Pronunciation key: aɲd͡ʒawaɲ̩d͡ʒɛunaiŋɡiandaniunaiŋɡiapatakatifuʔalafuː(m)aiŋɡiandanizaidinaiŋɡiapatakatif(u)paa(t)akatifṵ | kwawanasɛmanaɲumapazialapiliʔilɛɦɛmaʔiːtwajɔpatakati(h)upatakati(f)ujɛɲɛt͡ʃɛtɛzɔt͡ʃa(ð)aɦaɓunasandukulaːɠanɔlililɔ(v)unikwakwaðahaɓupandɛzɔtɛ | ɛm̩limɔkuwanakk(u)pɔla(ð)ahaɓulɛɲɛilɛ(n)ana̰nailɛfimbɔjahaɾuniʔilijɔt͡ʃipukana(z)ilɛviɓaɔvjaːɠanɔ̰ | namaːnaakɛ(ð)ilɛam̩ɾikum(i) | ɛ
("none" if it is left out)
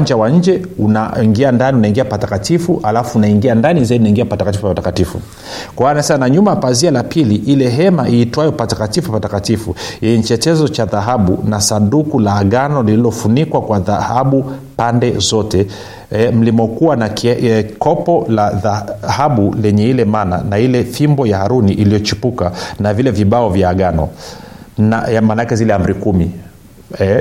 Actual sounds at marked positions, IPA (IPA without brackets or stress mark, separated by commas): n, u, t, f, f, ð, f, ɔ, ð, m, v, z, i